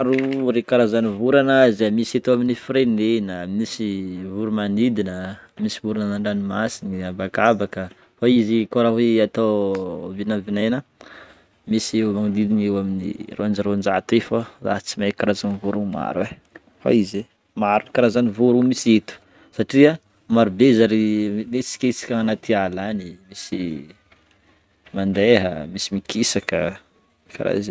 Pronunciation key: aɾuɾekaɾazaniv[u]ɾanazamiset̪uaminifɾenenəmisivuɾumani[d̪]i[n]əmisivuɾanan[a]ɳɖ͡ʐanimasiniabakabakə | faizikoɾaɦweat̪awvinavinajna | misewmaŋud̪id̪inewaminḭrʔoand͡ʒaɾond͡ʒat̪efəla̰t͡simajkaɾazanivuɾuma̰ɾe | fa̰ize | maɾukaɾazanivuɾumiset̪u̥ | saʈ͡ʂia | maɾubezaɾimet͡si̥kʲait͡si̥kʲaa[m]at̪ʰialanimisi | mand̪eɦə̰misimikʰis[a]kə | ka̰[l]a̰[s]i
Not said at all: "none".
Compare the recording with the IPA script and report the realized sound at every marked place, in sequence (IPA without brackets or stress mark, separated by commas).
u, d̪, n, a, n, a, ɾ, z